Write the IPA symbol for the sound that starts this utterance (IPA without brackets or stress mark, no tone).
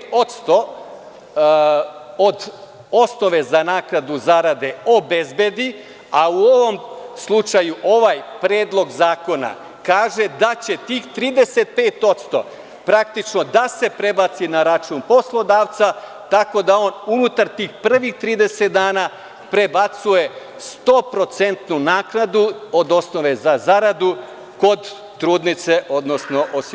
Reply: o̞